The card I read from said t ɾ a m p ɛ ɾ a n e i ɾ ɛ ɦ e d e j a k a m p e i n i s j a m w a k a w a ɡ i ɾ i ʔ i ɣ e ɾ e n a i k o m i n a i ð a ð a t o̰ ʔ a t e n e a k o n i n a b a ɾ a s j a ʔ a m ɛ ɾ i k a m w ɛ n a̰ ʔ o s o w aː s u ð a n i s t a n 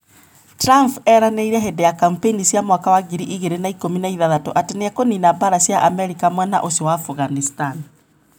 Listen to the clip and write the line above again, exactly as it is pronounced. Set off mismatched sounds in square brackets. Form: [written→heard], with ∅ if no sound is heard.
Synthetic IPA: t ɾ a m p ɛ ɾ a n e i ɾ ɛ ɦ e d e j a k a m p e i n i s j a m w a k a w a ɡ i ɾ i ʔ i ɣ e ɾ e n a i k o m i n a i ð a ð a t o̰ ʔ a t e n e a k o n i n a b a ɾ a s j a ʔ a m ɛ ɾ i k a m w ɛ n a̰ ʔ o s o w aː [s→f] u [ð→ɣ] a n i s t a n